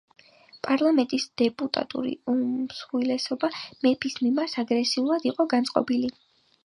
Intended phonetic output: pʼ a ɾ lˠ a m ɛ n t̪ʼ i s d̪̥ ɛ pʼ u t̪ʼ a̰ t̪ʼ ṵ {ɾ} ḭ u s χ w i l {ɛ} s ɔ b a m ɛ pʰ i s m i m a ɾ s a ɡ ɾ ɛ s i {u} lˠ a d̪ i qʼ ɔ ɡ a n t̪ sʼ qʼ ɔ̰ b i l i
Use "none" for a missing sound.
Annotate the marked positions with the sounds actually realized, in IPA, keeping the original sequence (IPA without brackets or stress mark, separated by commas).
ɾ, ɛ, u